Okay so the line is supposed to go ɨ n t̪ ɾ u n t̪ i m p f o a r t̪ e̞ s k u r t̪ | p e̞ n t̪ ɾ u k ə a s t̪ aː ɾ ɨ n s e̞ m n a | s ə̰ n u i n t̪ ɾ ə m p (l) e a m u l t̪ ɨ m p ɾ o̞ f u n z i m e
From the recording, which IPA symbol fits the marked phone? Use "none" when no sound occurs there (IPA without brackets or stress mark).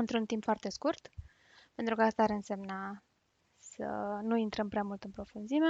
ɾ